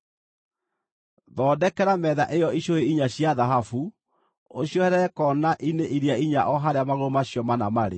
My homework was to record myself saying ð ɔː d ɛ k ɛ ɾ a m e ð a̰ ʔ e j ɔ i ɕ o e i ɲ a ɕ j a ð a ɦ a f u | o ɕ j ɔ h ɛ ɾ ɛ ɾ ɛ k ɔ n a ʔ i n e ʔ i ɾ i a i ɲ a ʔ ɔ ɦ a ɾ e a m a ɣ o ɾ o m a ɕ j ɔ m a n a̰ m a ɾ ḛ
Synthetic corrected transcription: ð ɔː d ɛ k ɛ ɾ a m ɛ ð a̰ ʔ e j ɔ i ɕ o e i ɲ a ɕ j a ð a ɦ a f u | o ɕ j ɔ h ɛ ɾ ɛ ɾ ɛ k ɔ n a ʔ i n e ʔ i ɾ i a i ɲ a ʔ ɔ ɦ a ɾ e a m a ɣ o ɾ o m a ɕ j ɔ m a n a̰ m a ɾ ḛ